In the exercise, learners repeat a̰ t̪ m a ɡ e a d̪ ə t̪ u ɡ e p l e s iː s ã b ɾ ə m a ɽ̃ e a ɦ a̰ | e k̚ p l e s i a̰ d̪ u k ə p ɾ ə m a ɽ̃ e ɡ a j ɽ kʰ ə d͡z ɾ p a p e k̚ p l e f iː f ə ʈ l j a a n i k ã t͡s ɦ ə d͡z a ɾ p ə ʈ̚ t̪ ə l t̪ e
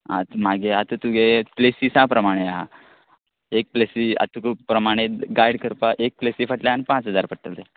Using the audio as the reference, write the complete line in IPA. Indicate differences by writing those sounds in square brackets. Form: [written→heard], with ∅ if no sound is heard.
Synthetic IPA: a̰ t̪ m a ɡ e a [d̪→t̪] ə t̪ u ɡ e p l e s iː s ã [b→p] ɾ ə m a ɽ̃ e a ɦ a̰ | e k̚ p l e s i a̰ [d̪→t̪] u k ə p ɾ ə m a ɽ̃ e ɡ a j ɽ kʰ ə [d͡z→∅] ɾ p a [p→ʔ] e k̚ p l e [f→s] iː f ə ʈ l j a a n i [k→p] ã t͡s ɦ ə d͡z a ɾ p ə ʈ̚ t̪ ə l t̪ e